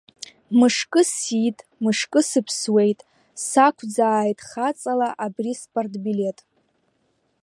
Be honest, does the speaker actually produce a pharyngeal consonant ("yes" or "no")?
no